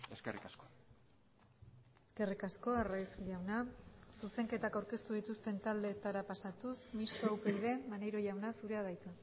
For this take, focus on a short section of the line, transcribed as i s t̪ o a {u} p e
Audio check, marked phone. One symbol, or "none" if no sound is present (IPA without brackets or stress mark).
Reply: w